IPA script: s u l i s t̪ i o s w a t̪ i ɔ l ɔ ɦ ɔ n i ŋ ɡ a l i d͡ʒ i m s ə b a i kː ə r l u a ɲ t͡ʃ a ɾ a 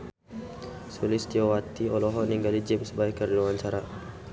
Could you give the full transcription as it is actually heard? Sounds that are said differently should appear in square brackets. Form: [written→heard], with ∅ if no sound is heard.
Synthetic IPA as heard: s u l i s t̪ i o [s→∅] w a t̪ i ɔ l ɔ ɦ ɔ n i ŋ ɡ a l i d͡ʒ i m s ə b a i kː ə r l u a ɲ t͡ʃ a ɾ a